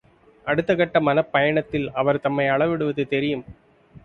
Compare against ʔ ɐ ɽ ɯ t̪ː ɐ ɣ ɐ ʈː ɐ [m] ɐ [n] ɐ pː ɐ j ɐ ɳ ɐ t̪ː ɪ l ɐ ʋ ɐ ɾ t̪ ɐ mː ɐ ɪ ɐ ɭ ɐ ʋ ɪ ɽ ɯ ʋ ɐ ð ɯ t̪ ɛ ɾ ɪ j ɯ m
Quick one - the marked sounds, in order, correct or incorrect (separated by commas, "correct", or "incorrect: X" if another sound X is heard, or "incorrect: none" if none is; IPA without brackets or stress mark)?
correct, correct